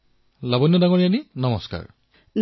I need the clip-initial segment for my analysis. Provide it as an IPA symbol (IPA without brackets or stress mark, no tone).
l